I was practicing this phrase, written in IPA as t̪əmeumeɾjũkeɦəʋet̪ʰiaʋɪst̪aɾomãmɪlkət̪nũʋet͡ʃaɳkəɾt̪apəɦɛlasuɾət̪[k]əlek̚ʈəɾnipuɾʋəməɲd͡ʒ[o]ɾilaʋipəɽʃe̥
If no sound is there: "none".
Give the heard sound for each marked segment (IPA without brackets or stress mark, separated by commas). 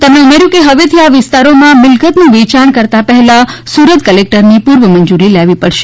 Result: k, u